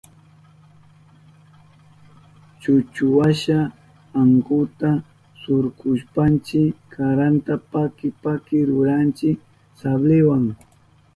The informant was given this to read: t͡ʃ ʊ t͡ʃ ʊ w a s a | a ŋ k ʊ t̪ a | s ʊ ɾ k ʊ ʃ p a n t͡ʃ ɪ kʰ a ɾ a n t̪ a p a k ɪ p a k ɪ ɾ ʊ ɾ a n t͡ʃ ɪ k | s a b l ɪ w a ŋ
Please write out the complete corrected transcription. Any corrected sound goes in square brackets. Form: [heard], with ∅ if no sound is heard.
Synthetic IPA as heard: t͡ʃ ʊ t͡ʃ ʊ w a [ʃ] a | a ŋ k ʊ t̪ a | s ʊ ɾ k ʊ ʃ p a n t͡ʃ ɪ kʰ a ɾ a n t̪ a p a k ɪ p a k ɪ ɾ ʊ ɾ a n t͡ʃ ɪ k | s a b l ɪ w a ŋ